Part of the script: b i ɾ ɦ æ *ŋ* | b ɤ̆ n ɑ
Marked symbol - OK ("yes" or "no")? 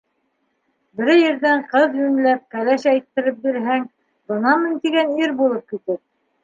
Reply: yes